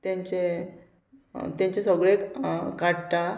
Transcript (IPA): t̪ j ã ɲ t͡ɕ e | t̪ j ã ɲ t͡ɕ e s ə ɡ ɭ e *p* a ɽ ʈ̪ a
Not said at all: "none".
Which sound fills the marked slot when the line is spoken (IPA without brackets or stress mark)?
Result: k